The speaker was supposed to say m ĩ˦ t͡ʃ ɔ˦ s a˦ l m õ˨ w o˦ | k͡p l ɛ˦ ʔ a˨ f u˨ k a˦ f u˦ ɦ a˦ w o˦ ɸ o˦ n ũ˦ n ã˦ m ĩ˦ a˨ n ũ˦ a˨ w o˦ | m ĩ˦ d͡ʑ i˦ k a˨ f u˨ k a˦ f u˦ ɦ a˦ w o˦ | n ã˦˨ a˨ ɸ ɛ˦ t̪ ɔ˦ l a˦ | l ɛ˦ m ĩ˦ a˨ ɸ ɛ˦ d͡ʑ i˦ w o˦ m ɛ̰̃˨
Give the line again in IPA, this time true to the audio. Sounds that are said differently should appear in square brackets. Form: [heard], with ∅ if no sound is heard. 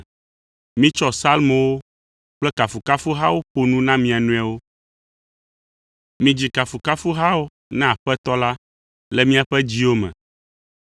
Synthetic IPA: m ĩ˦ t͡ʃ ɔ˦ s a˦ l m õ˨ w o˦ | k͡p l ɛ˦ [k] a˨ f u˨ k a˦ f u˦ ɦ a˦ w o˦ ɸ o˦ n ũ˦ n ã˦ m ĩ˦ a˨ n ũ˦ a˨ w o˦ | m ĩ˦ d͡ʑ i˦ k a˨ f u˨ k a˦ f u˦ ɦ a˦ w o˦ | n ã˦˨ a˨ ɸ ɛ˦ t̪ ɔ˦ l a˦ | l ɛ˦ m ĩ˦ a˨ ɸ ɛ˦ d͡ʑ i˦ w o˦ m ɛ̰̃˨